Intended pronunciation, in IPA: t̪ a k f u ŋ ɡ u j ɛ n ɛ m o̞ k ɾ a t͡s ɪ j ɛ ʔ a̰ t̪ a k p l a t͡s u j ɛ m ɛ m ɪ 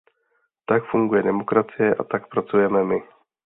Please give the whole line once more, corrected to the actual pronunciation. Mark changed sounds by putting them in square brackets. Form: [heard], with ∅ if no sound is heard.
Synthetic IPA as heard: t̪ a k f u ŋ ɡ u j ɛ [d] ɛ m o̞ k ɾ a t͡s ɪ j ɛ ʔ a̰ t̪ a k p [ɾ] a t͡s u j ɛ m ɛ m ɪ